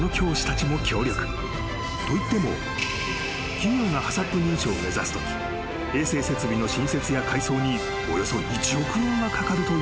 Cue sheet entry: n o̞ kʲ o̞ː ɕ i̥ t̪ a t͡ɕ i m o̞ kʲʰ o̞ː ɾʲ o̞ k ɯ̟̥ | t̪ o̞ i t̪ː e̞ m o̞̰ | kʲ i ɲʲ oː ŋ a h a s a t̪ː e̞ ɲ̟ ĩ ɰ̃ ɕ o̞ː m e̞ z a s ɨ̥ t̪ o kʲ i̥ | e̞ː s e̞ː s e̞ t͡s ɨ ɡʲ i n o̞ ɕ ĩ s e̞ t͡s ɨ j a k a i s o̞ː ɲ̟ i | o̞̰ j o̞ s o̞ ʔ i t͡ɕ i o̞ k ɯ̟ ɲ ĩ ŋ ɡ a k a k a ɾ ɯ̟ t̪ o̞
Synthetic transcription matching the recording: n o̞ kʲ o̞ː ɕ i̥ t̪ a t͡ɕ i m o̞ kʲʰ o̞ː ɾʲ o̞ k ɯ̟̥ | t̪ o̞ i t̪ː e̞ m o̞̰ | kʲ i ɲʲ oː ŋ a h a s a t̪ː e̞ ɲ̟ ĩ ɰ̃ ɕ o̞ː m e̞ z a s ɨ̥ t̪ o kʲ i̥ | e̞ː s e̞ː s e̞ t͡s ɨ bʲ i n o̞ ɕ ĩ s e̞ t͡s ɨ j a k a i s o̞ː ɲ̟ i | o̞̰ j o̞ s o̞ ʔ i t͡ɕ i o̞ k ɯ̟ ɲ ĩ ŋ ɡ a k a k a ɾ ɯ̟ t̪ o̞